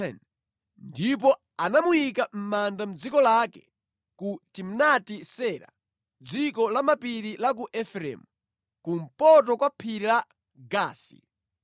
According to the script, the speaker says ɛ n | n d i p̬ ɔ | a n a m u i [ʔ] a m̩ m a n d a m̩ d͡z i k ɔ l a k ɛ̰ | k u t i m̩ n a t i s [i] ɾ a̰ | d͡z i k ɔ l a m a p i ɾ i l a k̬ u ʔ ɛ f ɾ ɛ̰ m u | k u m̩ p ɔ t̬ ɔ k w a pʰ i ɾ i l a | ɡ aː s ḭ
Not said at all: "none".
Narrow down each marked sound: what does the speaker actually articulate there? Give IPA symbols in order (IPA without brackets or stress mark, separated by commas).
k, ɛ